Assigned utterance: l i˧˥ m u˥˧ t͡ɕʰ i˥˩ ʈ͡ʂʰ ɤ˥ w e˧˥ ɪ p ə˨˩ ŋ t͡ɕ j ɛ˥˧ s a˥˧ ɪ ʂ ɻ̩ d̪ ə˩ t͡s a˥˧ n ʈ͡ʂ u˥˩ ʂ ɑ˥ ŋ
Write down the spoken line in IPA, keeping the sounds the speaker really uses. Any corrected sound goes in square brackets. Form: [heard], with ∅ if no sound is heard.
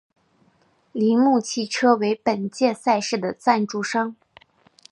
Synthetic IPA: l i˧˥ m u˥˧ t͡ɕʰ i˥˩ ʈ͡ʂʰ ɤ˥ w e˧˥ ɪ p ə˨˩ [n] t͡ɕ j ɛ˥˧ s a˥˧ ɪ ʂ ɻ̩ d̪ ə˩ t͡s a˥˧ n ʈ͡ʂ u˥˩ ʂ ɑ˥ ŋ